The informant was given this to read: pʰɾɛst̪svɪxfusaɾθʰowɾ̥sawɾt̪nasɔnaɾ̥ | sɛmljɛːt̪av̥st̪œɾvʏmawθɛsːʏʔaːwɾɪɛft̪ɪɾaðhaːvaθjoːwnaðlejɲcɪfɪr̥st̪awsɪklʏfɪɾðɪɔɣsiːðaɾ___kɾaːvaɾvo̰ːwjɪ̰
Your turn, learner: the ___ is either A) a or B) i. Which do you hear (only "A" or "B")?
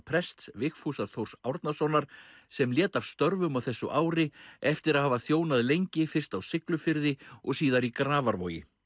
B